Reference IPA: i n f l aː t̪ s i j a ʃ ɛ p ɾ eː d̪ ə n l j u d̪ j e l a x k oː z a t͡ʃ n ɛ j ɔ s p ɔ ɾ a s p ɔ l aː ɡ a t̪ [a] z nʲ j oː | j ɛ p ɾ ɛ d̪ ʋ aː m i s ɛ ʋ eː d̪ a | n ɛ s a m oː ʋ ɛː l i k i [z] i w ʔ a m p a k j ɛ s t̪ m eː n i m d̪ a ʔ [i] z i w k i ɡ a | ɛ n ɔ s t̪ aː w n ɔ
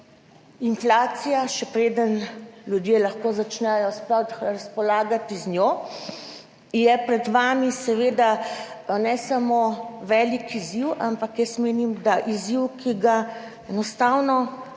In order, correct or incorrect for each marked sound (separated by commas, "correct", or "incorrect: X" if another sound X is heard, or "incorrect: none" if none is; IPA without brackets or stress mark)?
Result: incorrect: i, correct, correct